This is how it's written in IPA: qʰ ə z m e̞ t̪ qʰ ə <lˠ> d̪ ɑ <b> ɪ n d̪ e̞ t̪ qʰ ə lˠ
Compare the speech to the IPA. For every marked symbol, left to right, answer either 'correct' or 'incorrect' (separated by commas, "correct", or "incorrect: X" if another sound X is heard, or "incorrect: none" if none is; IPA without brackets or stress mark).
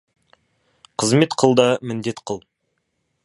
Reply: correct, incorrect: m